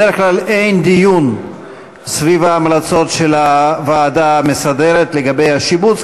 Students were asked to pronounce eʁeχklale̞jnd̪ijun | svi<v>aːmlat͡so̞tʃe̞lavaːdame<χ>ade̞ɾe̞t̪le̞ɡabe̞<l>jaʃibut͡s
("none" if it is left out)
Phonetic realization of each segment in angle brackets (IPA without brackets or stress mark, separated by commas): v, s, none